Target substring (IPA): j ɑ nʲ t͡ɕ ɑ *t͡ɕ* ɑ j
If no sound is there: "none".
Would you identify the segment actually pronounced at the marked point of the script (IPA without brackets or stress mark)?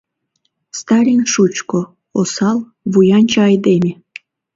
none